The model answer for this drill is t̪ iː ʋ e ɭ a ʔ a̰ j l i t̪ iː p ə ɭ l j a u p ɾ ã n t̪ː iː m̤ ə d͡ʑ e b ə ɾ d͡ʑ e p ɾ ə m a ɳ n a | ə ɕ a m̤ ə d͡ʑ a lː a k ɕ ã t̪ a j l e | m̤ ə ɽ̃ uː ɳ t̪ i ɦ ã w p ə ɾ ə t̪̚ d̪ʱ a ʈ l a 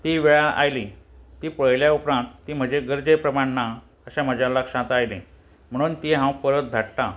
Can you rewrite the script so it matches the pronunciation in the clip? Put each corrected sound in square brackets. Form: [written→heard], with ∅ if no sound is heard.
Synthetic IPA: t̪ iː ʋ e ɭ a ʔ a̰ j l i t̪ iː p ə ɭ l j a u p ɾ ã n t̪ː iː m̤ ə d͡ʑ e [b→ɡ] ə ɾ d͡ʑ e p ɾ ə m a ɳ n a | ə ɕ a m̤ ə d͡ʑ a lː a k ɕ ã t̪ a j l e | m̤ ə ɽ̃ uː [ɳ→n] t̪ i ɦ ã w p ə ɾ ə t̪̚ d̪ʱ a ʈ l a